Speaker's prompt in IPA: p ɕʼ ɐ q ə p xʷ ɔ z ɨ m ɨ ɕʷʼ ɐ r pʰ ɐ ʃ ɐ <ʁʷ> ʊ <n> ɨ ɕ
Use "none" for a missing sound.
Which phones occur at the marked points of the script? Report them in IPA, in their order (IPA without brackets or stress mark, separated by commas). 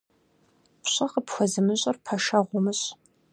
ʁʷ, m